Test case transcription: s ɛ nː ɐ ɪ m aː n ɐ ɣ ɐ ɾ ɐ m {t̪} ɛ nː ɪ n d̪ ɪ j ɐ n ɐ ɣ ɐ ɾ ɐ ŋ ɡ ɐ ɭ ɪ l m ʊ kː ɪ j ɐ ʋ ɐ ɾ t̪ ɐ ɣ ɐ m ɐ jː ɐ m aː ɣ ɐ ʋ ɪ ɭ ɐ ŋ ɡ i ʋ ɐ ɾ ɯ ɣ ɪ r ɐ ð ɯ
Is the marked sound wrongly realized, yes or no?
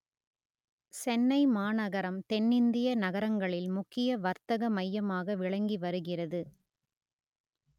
no